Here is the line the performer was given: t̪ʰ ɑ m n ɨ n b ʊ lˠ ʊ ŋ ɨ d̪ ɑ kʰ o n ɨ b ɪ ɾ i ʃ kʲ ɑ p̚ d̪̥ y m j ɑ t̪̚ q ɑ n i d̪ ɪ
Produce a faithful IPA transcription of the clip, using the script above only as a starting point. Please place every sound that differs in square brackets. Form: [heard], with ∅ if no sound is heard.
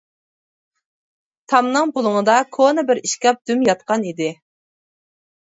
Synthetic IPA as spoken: t̪ʰ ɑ m n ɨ [ŋ] b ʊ lˠ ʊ ŋ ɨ d̪ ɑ kʰ o n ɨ b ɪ ɾ i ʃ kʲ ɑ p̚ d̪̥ y m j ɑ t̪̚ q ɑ n i d̪ ɪ